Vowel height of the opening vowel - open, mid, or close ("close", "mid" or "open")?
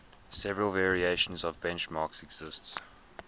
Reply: mid